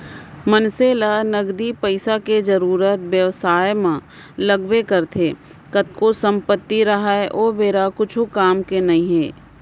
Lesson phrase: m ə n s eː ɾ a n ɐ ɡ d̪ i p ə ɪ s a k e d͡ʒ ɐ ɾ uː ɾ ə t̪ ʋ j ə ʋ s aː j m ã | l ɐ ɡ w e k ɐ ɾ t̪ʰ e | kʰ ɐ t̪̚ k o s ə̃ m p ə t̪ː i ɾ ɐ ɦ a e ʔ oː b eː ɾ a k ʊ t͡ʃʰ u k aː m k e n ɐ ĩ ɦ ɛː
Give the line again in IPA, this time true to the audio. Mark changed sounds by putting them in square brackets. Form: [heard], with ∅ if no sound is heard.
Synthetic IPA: m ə n s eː [l] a n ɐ ɡ d̪ i p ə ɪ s a k e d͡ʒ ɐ ɾ uː ɾ ə t̪ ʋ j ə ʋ s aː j m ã | l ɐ ɡ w e k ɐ ɾ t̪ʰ e | [k] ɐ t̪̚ k o s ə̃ m p ə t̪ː i ɾ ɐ ɦ a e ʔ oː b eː ɾ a k ʊ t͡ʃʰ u k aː m k e n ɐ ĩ ɦ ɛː